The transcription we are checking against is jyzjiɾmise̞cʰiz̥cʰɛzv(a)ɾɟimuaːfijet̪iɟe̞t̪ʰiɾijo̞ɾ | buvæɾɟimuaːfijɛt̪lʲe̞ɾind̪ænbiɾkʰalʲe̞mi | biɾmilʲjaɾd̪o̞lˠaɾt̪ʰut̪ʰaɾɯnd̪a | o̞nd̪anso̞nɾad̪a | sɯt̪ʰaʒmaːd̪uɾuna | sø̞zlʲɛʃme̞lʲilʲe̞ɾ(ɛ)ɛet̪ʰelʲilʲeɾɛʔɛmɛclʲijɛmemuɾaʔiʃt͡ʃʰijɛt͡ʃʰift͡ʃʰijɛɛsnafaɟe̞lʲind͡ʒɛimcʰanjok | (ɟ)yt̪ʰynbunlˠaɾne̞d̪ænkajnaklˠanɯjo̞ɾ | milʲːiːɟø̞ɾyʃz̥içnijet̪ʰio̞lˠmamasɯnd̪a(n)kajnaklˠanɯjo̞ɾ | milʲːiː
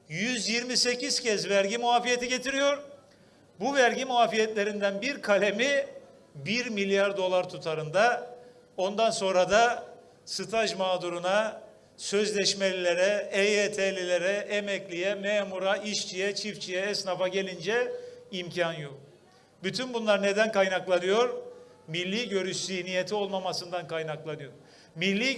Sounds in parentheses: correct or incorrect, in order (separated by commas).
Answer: incorrect, correct, incorrect, correct